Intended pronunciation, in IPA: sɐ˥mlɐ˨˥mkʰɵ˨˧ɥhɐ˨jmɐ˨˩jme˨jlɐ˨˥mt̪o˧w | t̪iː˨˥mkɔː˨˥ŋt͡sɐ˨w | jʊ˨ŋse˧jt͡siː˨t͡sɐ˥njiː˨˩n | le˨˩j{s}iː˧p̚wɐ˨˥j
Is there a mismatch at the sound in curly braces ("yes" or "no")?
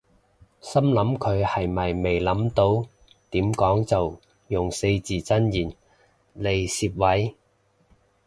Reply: no